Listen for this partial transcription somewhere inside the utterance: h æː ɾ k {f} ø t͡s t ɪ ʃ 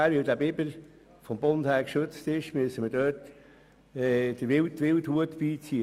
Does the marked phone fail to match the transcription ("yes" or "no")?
yes